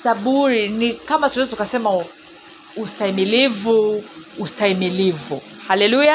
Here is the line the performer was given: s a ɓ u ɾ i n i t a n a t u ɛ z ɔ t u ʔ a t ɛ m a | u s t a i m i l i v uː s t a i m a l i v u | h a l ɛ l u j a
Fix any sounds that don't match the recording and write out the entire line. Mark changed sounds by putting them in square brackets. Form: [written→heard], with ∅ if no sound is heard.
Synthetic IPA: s a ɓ u ɾ i n i [t→k] a [n→m] a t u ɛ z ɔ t u [ʔ→k] a [t→s] ɛ m a | u s t a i m i l i v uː s t a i m [a→i] l i v u | h a l ɛ l u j a